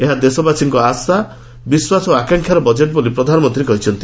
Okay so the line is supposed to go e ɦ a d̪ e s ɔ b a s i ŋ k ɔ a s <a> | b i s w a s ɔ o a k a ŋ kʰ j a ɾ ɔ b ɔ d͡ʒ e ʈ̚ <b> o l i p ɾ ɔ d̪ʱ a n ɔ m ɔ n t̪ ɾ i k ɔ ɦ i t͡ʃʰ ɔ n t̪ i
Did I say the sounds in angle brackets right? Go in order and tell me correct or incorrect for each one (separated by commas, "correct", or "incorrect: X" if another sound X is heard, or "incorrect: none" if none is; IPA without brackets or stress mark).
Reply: correct, correct